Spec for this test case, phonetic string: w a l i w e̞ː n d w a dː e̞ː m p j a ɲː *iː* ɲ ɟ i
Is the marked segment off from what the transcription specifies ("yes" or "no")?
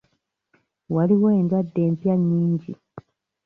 no